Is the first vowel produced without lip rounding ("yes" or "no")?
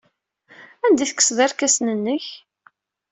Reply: yes